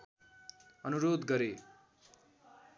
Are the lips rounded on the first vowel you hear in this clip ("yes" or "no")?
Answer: no